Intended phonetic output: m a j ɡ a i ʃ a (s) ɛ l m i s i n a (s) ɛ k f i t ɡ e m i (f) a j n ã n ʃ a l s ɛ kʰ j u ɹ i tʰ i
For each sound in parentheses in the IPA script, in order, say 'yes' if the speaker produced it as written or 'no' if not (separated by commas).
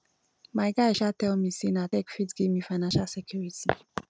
no, no, yes